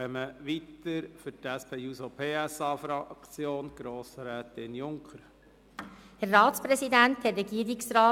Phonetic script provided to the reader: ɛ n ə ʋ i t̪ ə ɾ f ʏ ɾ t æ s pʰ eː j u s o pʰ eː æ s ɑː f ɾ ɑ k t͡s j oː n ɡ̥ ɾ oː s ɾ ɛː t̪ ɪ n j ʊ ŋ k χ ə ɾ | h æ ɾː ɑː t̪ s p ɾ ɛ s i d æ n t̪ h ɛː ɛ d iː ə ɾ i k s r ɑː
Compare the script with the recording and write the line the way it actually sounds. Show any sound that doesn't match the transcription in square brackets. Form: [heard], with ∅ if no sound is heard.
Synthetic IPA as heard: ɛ [m] ə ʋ i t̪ ə ɾ f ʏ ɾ t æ s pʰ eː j u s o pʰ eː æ s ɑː f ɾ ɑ k t͡s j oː n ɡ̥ ɾ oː s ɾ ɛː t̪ ɪ n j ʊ ŋ k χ ə ɾ | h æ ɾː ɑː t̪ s p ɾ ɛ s i d æ n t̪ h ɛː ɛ [ɡ] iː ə ɾ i k s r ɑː

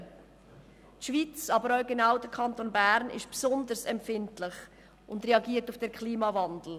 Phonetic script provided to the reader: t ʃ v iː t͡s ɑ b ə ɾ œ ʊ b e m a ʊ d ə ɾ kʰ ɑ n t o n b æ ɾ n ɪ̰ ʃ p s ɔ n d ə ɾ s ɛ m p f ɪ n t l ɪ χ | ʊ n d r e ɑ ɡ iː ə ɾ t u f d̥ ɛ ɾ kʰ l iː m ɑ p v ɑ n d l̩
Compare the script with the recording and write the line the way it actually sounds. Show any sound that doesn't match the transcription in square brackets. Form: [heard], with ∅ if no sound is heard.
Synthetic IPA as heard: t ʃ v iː t͡s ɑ b ə ɾ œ ʊ [ɡ] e [n] a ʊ d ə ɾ kʰ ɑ n t o n b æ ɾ n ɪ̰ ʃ p s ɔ n d ə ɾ s ɛ m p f ɪ n t l ɪ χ | ʊ n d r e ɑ ɡ iː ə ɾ t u f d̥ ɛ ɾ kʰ l iː m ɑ [∅] v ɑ n d l̩

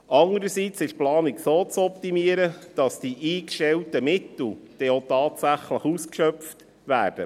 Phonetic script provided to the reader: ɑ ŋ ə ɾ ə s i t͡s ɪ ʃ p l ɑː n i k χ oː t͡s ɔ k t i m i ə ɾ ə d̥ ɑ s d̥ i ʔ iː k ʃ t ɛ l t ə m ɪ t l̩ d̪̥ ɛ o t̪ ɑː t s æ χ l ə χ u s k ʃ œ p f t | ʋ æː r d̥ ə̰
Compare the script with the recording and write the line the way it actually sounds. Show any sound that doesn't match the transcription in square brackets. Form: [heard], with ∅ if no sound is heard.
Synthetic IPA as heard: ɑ ŋ ə ɾ ə s i t͡s ɪ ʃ p l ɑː n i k [s] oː t͡s ɔ [p] t i m i ə ɾ ə d̥ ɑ s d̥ i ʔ iː k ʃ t ɛ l t ə m ɪ t l̩ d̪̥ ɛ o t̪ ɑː t s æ χ l ə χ u s k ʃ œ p f t | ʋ æː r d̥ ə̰

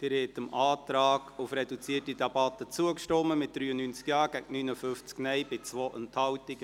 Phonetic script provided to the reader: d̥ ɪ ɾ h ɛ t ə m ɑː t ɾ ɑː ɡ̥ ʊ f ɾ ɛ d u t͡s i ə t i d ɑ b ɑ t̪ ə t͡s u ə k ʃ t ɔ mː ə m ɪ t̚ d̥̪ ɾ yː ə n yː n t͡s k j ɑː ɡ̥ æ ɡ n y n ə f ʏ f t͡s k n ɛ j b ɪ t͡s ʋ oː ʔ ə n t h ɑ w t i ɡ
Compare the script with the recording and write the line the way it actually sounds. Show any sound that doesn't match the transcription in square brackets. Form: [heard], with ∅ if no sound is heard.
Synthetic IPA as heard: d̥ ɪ ɾ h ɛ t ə m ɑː t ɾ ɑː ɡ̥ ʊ f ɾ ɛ d u t͡s i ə t i d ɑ b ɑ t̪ ə t͡s u ə k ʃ t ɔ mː ə m ɪ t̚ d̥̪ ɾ yː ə n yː n t͡s k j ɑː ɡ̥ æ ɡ n y n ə f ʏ f t͡s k n ɛ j b ɪ t͡s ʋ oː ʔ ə n t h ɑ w t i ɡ

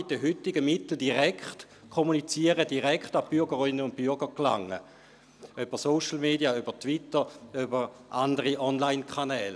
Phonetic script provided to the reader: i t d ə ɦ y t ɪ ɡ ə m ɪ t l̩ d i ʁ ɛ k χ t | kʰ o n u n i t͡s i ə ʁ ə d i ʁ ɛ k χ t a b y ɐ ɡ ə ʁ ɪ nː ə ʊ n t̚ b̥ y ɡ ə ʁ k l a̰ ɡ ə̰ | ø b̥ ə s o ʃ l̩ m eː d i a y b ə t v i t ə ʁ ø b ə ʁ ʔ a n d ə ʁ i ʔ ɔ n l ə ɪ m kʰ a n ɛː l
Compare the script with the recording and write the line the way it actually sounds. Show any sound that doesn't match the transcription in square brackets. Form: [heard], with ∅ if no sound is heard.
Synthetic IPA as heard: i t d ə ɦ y t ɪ ɡ ə m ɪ t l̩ d i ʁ ɛ k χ t | kʰ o [m] u n i t͡s i ə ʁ ə d i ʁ ɛ k χ t a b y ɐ ɡ ə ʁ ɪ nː ə ʊ n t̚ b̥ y ɡ ə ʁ k l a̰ [ŋ] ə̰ | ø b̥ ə s o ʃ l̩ m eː d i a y b ə t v i t ə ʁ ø b ə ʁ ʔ a n d ə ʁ i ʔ ɔ n l [a] ɪ [n] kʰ a n ɛː l

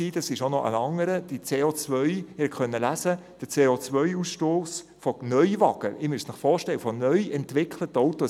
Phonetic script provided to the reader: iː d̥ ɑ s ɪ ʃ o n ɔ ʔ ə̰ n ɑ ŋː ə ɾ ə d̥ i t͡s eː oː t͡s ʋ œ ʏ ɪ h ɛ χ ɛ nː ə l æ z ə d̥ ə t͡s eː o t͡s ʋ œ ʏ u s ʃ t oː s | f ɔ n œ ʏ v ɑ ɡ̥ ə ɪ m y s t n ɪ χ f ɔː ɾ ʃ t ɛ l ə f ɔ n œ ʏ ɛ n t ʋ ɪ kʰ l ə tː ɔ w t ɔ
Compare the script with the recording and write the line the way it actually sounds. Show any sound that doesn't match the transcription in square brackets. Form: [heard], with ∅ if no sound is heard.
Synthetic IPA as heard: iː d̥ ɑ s ɪ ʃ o n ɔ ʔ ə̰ n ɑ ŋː ə ɾ ə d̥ i t͡s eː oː t͡s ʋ œ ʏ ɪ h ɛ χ [œ] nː ə l æ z ə d̥ ə t͡s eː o t͡s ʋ œ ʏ u s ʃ t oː s | f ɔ n œ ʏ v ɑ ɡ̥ ə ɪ m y s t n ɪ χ f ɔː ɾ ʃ t ɛ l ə f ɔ n œ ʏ ɛ n t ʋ ɪ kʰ l ə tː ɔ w t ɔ

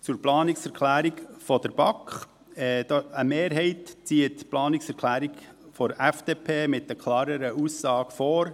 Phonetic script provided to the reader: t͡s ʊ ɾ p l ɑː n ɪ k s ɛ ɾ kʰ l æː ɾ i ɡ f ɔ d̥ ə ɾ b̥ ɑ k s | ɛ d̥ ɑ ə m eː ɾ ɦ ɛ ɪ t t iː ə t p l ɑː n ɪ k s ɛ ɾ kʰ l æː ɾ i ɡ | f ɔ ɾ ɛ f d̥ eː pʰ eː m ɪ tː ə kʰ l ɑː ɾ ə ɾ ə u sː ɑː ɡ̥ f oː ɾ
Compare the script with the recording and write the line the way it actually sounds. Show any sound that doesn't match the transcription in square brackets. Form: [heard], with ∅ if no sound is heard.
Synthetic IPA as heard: t͡s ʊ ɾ p l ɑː n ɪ k s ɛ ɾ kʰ l æː ɾ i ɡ f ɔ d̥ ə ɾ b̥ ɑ k [χ] | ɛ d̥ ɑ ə m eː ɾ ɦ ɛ ɪ t [t͡s] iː ə t p l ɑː n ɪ k s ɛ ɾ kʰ l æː ɾ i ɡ | f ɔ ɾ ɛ f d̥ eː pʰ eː m ɪ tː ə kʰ l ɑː ɾ ə ɾ ə u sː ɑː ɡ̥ f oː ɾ

